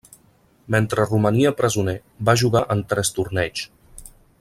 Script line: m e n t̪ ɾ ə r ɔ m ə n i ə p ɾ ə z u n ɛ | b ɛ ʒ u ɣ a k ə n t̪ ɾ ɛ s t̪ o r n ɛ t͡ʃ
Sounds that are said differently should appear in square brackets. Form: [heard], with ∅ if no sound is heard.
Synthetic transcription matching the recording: m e n t̪ ɾ ə r [u] m ə n i ə p ɾ ə z u n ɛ | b [a] ʒ u ɣ a [ʔ] ə n t̪ ɾ ɛ s t̪ [u] r n ɛ t͡ʃ